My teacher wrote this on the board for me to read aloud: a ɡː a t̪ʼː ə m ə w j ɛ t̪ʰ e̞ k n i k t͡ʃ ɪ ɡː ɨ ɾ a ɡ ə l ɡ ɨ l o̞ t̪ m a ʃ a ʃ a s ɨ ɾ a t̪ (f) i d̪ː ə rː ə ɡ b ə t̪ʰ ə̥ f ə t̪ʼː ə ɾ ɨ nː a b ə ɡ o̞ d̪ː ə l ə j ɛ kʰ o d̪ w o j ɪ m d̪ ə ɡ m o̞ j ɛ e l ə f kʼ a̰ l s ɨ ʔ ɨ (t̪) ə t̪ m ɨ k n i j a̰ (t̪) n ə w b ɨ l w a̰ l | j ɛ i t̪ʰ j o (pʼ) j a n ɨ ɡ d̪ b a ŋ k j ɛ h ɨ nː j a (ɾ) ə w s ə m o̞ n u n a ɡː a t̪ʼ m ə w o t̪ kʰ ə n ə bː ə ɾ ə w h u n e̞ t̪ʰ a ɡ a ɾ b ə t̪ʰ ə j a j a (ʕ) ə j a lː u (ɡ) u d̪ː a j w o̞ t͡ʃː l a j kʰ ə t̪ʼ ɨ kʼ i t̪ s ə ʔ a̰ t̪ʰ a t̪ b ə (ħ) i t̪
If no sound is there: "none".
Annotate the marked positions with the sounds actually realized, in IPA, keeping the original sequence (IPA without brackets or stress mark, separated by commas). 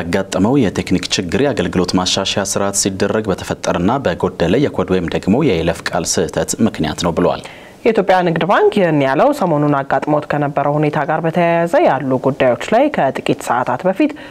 s, t̪ʰ, t̪, pʼ, l, z, ɡ, f